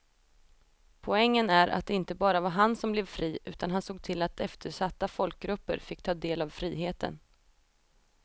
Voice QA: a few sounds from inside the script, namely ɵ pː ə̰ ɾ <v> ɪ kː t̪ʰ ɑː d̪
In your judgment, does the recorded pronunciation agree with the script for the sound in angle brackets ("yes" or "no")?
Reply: no